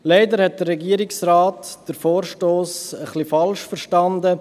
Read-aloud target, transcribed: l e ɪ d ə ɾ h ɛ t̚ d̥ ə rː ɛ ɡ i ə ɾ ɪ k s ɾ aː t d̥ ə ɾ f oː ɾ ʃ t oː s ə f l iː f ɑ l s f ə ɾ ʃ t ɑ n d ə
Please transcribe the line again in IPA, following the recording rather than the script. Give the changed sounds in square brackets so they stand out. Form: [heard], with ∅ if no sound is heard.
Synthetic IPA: l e ɪ d ə ɾ h ɛ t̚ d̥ ə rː ɛ ɡ i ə ɾ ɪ k s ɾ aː t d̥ ə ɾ f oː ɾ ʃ t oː s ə [χ] l [i] f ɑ l [ʃ] f ə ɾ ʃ t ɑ n d ə